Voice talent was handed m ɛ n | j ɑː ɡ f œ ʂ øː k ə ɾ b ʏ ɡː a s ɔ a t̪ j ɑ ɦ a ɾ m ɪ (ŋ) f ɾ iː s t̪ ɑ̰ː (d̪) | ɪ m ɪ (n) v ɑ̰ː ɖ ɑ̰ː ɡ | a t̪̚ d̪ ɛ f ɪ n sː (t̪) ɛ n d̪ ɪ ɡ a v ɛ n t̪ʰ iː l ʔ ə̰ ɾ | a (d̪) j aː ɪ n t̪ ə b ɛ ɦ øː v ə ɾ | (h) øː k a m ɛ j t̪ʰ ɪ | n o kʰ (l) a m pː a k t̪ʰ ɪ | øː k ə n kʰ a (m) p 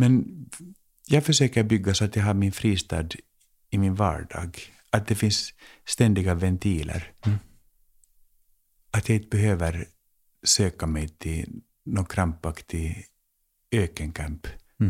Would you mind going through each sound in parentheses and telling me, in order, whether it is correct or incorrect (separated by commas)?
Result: incorrect, correct, correct, correct, incorrect, incorrect, incorrect, correct